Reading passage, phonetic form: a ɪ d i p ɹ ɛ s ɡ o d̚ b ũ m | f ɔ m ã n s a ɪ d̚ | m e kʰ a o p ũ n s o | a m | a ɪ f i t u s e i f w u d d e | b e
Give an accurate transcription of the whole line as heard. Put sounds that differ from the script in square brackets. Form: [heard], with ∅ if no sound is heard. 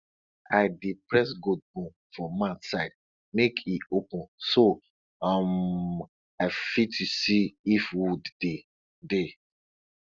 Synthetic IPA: a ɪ d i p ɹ ɛ s ɡ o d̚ b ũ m | f ɔ m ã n s a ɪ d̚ | m e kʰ [i] o p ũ n s o | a m | a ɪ f i t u s [i] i f w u d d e | [d] e